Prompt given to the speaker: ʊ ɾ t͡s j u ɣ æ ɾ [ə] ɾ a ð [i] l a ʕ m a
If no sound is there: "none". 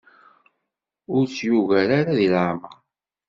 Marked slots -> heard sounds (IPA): a, i

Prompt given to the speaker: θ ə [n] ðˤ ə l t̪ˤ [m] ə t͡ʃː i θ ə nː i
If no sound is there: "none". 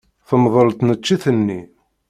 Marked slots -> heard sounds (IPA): m, n

